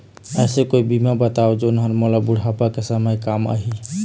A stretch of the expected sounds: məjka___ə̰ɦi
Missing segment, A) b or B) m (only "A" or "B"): B